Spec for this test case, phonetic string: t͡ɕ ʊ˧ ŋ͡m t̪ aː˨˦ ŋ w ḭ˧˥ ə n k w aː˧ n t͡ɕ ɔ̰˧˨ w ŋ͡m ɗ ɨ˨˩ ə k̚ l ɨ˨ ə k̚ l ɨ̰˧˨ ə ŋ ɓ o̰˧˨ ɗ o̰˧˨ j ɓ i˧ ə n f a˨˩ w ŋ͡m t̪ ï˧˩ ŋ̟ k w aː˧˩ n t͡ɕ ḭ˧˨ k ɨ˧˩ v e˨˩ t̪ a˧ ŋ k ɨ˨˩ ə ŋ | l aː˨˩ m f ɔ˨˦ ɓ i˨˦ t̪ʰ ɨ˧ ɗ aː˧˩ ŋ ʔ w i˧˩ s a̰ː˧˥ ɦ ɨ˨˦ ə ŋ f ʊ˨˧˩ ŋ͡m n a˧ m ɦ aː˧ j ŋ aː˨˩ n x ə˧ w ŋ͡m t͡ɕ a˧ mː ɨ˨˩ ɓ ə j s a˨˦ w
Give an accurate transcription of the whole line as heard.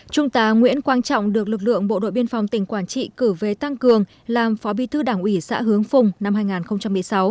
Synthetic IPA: t͡ɕ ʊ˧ ŋ͡m t̪ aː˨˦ ŋ w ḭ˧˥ ə n k w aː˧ n t͡ɕ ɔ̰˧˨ w ŋ͡m ɗ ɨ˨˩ ə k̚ l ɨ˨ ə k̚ l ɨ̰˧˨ ə ŋ ɓ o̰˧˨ ɗ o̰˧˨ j ɓ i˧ ə n f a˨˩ w ŋ͡m t̪ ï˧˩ ŋ̟ k w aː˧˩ n t͡ɕ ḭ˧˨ k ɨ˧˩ v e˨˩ t̪ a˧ ŋ k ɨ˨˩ ə ŋ | l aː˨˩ m f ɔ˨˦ ɓ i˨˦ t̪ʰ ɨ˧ ɗ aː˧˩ ŋ ʔ w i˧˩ s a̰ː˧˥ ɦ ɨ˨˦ ə ŋ f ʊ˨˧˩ ŋ͡m n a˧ m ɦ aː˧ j ŋ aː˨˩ n x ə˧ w ŋ͡m t͡ɕ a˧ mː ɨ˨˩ ə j s a˨˦ w